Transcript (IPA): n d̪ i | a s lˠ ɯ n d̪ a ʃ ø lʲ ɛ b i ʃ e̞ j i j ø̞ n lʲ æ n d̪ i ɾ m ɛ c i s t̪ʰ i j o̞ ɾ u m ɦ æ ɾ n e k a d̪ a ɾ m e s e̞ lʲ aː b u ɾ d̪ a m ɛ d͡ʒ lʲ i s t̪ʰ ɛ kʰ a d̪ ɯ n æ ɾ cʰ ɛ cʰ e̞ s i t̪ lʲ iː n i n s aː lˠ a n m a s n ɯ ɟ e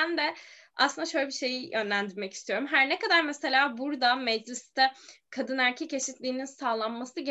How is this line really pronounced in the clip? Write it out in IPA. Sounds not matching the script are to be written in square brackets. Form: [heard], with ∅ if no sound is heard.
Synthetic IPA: n d̪ [ɛ] | a s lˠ ɯ n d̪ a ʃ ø lʲ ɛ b i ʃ e̞ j i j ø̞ n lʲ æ n d̪ i ɾ m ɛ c i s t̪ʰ i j o̞ ɾ u m ɦ æ ɾ n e k a d̪ a ɾ m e s e̞ lʲ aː b u ɾ d̪ a m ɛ d͡ʒ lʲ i s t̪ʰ ɛ kʰ a d̪ ɯ n æ ɾ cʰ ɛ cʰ e̞ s i t̪ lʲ iː n i n s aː lˠ a n m a s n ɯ ɟ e